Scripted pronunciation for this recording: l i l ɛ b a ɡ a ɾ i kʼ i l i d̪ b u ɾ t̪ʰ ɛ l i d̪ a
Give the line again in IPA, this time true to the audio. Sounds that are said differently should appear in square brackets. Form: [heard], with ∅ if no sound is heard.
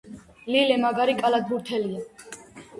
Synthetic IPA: l i l ɛ [m] a ɡ a ɾ i kʼ [a] l [a] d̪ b u ɾ t̪ʰ ɛ l i [∅] a